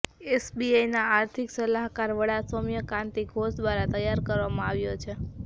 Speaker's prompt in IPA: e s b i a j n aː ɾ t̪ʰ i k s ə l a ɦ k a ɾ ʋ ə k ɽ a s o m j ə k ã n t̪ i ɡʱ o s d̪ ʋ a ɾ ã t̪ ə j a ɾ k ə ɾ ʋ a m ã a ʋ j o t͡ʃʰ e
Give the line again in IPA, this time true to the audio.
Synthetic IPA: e s b i a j n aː ɾ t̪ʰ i k s ə l a ɦ k a ɾ ʋ ə ɽ a s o m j ə k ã n t̪ i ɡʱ o s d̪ ʋ a ɾ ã t̪ ə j a ɾ k ə ɾ ʋ a m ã a ʋ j o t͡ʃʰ e